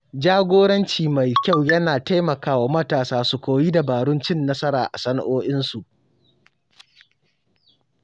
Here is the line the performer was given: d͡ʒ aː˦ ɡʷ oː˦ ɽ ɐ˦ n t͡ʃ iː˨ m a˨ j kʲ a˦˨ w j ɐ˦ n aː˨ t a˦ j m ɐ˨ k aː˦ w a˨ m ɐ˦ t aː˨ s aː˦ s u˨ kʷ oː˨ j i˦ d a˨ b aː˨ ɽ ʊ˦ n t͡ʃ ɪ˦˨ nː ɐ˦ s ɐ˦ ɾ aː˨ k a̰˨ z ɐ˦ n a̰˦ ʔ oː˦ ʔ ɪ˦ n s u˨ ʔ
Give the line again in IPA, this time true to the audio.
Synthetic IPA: d͡ʒ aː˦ ɡʷ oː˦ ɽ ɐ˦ n t͡ʃ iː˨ m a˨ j kʲ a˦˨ w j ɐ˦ n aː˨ t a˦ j m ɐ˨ k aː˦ w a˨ m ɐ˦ t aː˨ s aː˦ s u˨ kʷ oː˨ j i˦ d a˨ b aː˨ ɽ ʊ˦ n t͡ʃ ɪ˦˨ nː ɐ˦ s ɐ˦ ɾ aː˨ ʔ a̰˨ s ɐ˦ n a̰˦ ʔ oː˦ ʔ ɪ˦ n s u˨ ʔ